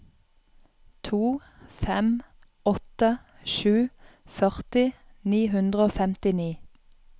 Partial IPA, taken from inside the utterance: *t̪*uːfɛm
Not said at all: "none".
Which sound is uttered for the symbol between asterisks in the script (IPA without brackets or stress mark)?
t̪ʰ